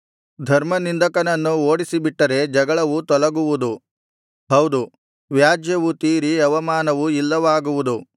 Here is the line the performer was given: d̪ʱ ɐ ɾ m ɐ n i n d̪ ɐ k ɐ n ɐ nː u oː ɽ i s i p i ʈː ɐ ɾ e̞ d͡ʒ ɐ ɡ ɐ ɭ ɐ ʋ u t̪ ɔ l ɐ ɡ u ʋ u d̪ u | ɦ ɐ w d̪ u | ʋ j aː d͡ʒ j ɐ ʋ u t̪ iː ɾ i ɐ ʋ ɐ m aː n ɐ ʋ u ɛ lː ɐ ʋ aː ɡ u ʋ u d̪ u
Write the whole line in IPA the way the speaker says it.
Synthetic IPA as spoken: d̪ʱ ɐ ɾ m ɐ n i n d̪ ɐ k ɐ n ɐ nː u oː ɽ i s i b i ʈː ɐ ɾ e̞ d͡ʒ ɐ ɡ ɐ ɭ ɐ ʋ u t̪ ɔ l ɐ ɡ u ʋ u d̪ u | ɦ ɐ w d̪ u | ʋ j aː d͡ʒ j ɐ ʋ u t̪ iː ɾ i ɐ ʋ ɐ m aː n ɐ ʋ u i lː ɐ ʋ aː ɡ u ʋ u d̪ u